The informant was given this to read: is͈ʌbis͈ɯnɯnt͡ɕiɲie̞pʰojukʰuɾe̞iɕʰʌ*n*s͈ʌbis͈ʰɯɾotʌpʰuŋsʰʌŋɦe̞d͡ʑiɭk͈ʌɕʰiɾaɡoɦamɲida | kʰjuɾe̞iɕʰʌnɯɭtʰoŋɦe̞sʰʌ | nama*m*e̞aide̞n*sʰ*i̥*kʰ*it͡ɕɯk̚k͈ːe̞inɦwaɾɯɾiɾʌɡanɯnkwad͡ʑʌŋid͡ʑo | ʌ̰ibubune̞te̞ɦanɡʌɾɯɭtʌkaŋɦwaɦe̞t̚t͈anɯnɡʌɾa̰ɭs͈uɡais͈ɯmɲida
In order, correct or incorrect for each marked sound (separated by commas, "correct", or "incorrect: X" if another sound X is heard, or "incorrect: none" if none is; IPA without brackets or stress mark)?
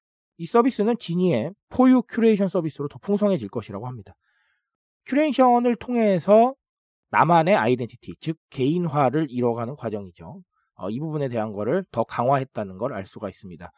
correct, incorrect: n, incorrect: tʰ, incorrect: tʰ